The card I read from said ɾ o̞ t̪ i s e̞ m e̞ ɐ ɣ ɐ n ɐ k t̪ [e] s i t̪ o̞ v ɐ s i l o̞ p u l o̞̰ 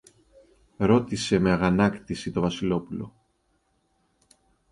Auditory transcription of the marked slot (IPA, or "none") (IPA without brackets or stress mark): i